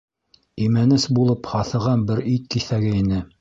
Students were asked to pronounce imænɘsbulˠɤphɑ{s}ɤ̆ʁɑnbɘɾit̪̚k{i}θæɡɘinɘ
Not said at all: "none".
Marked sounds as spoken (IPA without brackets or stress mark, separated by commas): θ, i